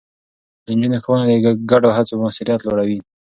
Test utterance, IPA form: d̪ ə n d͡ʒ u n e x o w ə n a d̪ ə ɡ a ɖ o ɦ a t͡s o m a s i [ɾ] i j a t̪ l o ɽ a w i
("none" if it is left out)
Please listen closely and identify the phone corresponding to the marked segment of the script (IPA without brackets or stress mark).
ɾ